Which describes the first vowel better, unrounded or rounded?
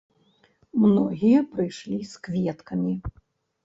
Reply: rounded